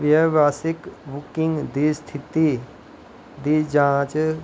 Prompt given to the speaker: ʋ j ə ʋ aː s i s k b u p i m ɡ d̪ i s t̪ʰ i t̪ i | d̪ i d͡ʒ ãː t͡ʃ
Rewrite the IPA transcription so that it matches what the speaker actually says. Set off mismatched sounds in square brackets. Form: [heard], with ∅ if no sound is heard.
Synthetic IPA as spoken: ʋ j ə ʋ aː s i [∅] k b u [k] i [ŋ] ɡ d̪ i s t̪ʰ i t̪ i | d̪ i d͡ʒ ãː t͡ʃ